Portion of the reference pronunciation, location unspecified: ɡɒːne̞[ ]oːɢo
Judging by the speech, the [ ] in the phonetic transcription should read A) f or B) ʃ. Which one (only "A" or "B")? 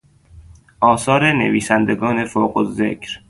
A